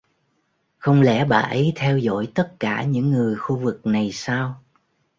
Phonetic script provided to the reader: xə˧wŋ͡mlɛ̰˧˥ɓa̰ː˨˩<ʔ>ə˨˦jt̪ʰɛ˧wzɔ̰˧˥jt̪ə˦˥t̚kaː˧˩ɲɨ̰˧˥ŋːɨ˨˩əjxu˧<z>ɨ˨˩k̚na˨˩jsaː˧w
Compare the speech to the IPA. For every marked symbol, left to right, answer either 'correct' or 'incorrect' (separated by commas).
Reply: correct, incorrect